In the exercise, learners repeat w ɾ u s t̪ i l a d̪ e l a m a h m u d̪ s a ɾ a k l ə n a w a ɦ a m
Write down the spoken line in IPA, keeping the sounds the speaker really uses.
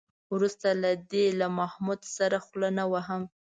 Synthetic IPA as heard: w ɾ u s t̪ a l a d̪ e l a m a h m u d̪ s a ɾ a x l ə n a w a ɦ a m